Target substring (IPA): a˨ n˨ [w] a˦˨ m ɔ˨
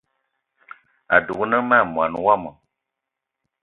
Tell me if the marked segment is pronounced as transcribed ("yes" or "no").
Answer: yes